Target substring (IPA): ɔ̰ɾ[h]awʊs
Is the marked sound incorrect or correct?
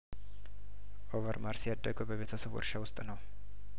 incorrect